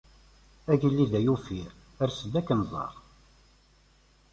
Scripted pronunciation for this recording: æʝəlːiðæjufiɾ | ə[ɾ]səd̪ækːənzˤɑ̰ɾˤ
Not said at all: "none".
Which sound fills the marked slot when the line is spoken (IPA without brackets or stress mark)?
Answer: ɾ